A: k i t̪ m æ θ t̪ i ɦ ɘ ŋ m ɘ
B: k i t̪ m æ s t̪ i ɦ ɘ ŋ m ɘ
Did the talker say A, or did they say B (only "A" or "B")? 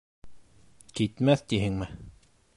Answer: A